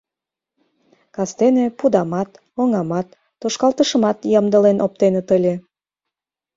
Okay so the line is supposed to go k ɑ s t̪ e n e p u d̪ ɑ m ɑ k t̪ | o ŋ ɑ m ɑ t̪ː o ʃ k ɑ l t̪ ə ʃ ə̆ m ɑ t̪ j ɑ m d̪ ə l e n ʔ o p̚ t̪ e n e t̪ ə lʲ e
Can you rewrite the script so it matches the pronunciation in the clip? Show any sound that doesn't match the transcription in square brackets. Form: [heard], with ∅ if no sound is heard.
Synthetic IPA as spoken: k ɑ s t̪ e n e p u d̪ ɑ m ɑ [∅] t̪ | o ŋ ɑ m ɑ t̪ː o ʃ k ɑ l t̪ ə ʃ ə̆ m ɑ t̪ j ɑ m d̪ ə l e n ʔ o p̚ t̪ e n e t̪ ə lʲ e